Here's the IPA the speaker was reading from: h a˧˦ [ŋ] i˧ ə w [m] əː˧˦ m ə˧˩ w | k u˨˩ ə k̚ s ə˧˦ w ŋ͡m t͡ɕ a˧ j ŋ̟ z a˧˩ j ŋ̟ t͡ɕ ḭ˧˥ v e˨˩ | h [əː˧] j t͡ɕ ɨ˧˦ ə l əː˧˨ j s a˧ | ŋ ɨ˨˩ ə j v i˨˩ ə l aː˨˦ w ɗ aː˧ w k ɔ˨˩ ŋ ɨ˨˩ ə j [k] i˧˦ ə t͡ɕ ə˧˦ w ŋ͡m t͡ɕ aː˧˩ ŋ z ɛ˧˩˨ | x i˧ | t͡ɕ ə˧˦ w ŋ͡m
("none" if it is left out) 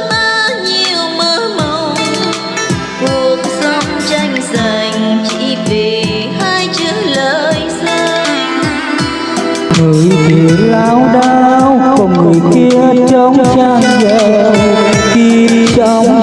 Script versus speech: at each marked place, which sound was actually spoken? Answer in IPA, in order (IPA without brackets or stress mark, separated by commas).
ɲ, m, aː˧, k